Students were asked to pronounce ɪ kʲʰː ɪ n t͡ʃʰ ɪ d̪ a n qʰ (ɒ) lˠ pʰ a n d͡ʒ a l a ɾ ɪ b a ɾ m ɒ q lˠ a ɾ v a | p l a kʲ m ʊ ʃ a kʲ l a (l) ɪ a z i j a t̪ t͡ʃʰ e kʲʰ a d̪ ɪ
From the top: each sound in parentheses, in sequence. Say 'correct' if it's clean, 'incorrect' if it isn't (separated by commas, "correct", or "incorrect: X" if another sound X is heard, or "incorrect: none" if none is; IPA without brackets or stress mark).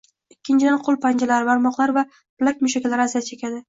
incorrect: o, incorrect: ɾ